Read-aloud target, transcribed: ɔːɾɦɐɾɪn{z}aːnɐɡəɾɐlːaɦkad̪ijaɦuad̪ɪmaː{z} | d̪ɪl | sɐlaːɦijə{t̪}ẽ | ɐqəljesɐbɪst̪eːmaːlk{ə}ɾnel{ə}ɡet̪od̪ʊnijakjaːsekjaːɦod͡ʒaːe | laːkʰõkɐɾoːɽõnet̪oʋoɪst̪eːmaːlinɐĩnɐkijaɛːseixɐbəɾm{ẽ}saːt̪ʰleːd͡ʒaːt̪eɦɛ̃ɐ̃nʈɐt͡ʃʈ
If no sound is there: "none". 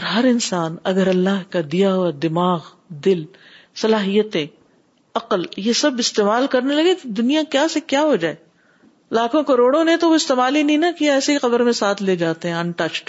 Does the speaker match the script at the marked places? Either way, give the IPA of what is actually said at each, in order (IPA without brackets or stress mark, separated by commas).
s, ɣ, t̪, ɐ, ɐ, ẽ